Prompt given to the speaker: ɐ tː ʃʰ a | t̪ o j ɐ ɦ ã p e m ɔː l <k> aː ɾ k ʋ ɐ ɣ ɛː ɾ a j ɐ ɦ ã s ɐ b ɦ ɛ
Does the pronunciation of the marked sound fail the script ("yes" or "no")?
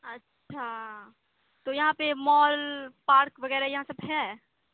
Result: yes